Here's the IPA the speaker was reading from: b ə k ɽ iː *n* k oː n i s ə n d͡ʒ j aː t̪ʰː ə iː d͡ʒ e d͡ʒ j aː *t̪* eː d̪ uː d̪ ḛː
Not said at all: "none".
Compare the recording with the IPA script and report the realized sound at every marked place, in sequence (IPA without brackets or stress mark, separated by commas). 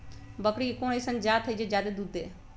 none, d̪